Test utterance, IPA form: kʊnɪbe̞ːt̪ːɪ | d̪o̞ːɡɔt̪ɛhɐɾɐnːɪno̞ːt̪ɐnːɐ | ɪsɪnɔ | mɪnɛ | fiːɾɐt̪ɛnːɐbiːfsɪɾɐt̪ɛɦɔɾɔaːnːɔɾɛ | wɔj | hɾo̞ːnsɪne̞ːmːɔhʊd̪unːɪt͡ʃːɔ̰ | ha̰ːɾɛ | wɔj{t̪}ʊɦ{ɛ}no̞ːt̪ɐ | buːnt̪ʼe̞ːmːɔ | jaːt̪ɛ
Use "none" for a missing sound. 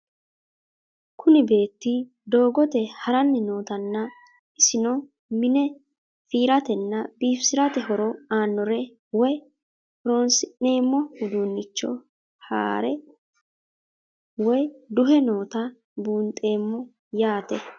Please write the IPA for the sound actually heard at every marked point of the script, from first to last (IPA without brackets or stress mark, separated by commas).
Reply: d̪, ɛ